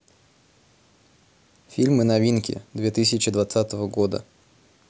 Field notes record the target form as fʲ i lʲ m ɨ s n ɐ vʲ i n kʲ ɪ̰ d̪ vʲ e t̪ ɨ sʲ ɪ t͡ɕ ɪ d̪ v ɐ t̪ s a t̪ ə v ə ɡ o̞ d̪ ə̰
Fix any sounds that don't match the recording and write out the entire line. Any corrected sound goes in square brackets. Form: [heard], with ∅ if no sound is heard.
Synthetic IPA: fʲ i lʲ m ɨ [∅] n ɐ vʲ i n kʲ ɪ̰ d̪ vʲ e t̪ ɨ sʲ ɪ t͡ɕ ɪ d̪ v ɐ t̪ s a t̪ ə v ə ɡ o̞ d̪ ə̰